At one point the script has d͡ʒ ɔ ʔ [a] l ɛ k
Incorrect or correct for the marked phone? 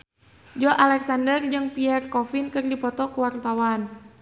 correct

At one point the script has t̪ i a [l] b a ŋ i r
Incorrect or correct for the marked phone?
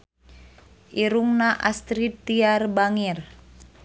incorrect: r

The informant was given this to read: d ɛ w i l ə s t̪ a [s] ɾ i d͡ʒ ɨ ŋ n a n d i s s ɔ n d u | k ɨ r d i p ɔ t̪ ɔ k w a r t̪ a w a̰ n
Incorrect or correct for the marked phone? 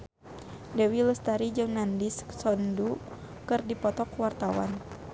incorrect: none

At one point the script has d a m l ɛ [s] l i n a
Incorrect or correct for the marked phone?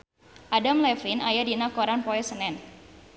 incorrect: f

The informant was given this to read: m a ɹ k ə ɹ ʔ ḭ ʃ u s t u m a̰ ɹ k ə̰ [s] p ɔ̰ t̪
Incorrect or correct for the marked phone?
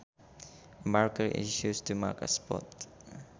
correct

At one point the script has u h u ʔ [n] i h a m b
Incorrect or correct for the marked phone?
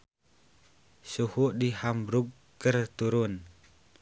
incorrect: d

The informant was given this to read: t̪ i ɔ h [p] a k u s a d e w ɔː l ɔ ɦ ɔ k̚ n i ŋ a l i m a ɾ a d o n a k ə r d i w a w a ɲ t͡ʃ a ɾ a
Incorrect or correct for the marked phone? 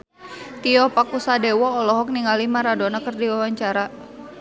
correct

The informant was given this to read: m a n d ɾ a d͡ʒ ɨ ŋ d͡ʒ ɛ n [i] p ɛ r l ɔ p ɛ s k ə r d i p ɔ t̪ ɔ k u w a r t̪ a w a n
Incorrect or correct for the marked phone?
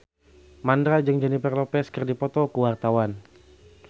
correct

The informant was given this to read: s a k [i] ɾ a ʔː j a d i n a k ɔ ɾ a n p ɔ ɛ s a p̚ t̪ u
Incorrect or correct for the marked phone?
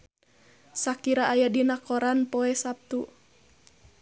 correct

